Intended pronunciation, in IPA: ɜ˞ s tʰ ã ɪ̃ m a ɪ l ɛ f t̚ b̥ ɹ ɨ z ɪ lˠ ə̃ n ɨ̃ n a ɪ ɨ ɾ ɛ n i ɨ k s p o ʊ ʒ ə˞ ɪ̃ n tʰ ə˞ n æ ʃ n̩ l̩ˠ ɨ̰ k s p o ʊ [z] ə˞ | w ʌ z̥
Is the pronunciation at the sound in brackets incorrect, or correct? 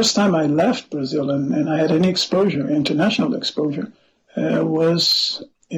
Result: incorrect